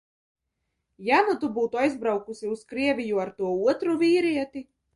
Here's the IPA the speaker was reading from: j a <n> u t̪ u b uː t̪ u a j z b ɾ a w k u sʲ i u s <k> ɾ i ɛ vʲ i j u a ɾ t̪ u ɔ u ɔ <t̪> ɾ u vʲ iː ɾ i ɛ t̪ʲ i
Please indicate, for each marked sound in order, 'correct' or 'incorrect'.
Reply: correct, correct, correct

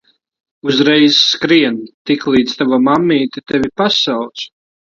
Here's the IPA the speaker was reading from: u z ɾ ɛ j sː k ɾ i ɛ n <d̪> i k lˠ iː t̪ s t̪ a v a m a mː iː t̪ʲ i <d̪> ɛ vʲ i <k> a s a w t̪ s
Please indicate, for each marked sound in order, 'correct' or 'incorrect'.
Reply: incorrect, incorrect, incorrect

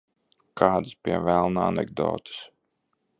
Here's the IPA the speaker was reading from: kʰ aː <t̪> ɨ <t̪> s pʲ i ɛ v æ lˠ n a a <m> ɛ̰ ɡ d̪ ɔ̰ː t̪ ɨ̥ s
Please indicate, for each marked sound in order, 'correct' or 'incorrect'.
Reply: incorrect, incorrect, incorrect

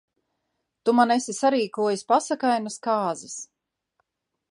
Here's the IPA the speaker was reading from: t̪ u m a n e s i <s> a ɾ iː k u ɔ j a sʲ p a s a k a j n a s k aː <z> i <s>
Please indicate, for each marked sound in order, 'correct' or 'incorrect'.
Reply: correct, correct, correct

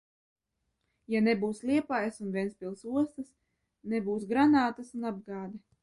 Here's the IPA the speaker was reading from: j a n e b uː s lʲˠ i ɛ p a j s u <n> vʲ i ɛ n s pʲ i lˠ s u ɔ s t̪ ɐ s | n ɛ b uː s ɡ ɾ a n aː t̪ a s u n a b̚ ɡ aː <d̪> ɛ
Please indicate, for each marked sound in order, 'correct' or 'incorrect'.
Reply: correct, correct

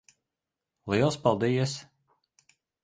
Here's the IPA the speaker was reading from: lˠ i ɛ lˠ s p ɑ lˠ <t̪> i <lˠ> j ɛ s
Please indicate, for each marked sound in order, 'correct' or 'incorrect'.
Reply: incorrect, incorrect

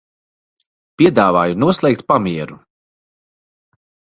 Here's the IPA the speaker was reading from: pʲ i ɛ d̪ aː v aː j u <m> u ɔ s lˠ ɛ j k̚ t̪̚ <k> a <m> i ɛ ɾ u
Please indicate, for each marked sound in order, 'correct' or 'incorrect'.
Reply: incorrect, incorrect, correct

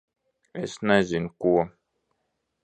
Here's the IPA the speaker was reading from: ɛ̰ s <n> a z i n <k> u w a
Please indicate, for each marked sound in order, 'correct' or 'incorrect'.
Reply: correct, correct

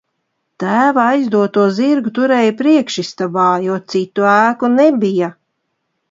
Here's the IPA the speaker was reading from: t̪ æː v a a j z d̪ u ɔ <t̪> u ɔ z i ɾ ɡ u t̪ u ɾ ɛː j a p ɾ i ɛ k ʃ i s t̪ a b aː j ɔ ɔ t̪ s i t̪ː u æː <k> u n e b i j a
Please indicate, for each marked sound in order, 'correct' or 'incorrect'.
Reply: correct, correct

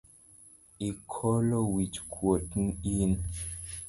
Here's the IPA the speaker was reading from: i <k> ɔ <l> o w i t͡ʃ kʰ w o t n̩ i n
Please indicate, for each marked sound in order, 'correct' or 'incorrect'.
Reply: incorrect, correct

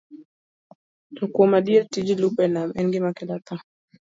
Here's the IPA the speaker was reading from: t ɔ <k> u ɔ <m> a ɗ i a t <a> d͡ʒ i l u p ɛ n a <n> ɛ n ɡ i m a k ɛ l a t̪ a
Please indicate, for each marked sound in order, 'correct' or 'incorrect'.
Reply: correct, correct, incorrect, incorrect

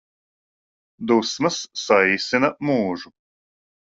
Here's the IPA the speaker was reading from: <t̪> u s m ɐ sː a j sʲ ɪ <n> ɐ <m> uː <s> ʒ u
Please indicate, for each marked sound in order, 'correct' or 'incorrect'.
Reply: incorrect, correct, correct, incorrect

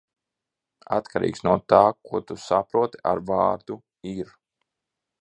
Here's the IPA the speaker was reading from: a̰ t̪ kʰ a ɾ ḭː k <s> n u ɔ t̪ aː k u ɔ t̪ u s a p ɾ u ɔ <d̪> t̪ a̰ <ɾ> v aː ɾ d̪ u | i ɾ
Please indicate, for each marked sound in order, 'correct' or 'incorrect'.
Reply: correct, incorrect, correct

